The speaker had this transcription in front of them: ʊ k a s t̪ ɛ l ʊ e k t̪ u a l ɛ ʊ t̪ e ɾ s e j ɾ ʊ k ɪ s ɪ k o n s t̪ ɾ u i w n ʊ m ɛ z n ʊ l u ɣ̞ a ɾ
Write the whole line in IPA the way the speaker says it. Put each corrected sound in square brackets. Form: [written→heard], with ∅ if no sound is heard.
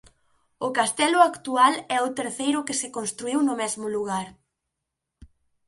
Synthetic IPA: ʊ k a s t̪ ɛ l ʊ [e→a] k t̪ u a l ɛ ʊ t̪ e ɾ [s→θ] e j ɾ ʊ k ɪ s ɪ k o n s t̪ ɾ u i w n ʊ m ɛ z [n→m] ʊ l u ɣ̞ a ɾ